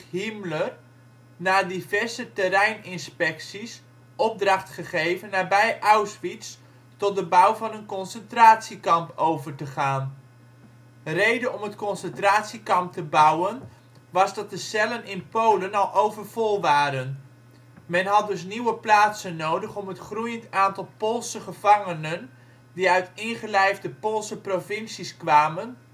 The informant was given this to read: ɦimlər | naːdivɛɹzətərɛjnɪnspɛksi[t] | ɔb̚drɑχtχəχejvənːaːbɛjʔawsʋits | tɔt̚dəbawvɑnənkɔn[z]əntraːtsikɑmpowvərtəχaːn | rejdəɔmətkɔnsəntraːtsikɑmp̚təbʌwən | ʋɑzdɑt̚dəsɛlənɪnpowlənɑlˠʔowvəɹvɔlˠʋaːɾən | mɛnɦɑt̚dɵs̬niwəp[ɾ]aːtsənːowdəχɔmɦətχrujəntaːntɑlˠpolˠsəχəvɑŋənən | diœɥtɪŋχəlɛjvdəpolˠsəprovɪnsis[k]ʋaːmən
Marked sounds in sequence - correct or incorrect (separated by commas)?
incorrect, incorrect, incorrect, correct